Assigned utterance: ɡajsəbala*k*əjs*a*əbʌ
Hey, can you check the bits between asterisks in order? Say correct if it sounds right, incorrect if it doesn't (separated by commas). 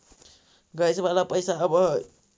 incorrect, correct